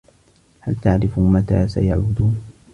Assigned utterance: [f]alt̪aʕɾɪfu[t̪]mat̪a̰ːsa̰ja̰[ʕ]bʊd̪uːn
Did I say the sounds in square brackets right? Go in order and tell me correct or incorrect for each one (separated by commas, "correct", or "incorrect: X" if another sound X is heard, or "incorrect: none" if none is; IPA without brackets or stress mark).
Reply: incorrect: h, incorrect: none, correct